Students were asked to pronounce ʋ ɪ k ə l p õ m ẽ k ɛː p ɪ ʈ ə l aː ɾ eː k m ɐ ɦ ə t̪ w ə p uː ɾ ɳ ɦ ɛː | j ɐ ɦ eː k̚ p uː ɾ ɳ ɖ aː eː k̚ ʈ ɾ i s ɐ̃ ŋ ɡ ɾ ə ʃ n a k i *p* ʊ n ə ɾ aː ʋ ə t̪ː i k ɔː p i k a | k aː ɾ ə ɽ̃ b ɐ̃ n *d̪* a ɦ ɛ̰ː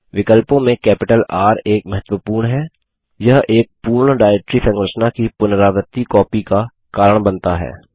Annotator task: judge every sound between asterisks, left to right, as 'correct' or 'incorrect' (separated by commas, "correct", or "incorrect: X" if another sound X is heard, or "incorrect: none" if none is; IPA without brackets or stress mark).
correct, incorrect: t̪